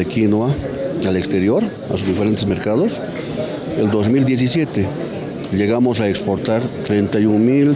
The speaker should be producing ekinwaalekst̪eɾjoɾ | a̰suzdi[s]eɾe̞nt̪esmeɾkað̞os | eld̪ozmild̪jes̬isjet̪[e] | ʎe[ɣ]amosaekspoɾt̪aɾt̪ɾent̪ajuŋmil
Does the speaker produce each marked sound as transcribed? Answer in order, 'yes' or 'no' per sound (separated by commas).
no, yes, yes